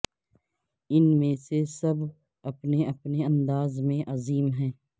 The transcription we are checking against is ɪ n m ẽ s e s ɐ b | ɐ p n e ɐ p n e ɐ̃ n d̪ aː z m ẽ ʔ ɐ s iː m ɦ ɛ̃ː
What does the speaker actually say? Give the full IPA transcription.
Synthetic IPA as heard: ɪ n m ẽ s e s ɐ b | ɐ p n e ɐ p n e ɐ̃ n d̪ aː z m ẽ ʔ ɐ z iː m ɦ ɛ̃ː